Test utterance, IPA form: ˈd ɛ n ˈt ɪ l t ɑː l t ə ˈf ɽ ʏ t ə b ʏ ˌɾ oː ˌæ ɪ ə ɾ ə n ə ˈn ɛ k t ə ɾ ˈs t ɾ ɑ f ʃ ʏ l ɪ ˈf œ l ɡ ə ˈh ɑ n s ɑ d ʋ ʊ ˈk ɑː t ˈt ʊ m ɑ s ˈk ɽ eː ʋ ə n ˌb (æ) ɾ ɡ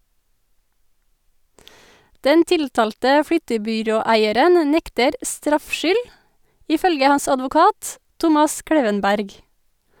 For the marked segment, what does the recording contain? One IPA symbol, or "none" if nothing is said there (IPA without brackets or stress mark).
æ